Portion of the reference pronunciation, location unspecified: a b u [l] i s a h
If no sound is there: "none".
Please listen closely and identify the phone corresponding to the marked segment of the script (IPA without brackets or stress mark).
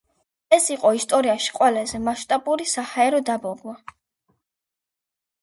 ɾ